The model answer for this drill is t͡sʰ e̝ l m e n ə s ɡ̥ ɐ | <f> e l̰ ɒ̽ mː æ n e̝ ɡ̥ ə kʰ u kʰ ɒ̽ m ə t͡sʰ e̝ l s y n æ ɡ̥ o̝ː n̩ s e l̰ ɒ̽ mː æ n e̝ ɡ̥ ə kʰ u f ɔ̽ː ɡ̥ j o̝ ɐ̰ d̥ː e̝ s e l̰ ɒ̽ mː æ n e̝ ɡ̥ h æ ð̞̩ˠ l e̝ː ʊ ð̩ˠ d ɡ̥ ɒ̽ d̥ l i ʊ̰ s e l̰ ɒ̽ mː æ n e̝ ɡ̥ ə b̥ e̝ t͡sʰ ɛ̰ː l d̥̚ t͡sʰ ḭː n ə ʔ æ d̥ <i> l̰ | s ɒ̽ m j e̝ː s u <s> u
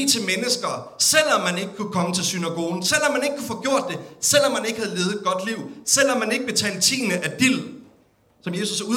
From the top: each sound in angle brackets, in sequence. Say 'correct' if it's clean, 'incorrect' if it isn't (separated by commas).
incorrect, correct, correct